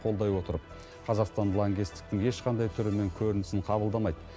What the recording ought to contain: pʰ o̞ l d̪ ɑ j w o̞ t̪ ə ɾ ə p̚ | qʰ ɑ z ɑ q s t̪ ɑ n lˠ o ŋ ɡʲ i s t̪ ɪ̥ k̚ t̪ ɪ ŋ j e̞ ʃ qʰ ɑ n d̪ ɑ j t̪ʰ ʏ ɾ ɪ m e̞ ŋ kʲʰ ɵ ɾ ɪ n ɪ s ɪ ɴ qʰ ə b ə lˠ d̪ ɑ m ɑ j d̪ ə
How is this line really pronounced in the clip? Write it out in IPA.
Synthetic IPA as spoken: qʰ o̞ l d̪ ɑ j w o̞ t̪ ə ɾ ə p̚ | qʰ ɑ z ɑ q s t̪ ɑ n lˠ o ŋ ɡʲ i s t̪ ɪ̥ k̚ t̪ ɪ ŋ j e̞ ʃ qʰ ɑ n d̪ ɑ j t̪ʰ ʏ ɾ ɪ m e̞ ŋ kʲʰ ɵ ɾ ɪ n ɪ s ɪ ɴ qʰ ɑ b ə lˠ d̪ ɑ m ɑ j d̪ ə